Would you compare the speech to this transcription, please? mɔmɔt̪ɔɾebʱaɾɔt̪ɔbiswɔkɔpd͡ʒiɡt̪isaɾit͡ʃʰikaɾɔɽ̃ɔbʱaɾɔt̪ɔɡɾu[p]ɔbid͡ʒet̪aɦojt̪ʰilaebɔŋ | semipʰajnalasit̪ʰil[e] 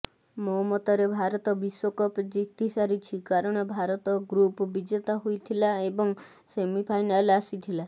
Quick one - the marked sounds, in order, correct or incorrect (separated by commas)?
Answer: correct, incorrect